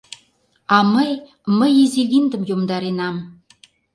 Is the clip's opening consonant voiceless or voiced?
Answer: voiced